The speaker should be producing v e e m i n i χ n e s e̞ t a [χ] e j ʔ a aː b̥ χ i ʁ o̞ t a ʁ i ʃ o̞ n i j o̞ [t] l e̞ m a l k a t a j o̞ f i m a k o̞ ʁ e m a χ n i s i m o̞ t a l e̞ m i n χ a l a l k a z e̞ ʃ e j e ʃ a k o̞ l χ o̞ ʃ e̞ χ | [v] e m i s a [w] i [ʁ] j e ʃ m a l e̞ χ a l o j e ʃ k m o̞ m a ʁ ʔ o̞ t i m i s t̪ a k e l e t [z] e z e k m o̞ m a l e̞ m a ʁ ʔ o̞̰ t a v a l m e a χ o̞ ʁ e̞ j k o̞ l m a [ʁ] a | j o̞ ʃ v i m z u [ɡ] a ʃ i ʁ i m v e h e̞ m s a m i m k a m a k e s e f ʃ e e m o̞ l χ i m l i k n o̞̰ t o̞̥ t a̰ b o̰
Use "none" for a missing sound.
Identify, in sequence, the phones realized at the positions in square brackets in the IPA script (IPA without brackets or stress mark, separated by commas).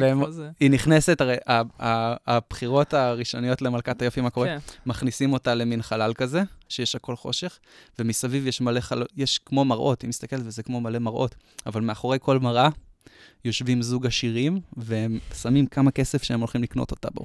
ʁ, t, v, v, v, v, ʁ, ɡ